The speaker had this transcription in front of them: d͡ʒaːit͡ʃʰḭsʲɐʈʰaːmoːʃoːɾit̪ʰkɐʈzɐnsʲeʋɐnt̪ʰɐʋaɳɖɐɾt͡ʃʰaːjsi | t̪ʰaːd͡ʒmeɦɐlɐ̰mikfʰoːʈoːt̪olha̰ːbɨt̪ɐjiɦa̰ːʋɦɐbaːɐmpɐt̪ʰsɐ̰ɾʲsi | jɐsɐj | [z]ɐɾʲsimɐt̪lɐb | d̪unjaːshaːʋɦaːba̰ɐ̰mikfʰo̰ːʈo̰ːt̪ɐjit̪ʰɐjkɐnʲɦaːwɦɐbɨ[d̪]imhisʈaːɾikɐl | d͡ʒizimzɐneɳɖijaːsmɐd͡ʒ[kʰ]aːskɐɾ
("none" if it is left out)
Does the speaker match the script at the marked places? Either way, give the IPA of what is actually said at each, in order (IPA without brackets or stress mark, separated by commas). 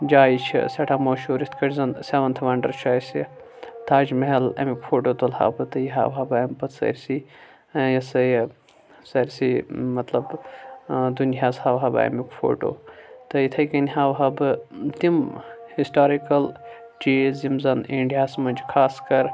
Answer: s, t̪, kʰ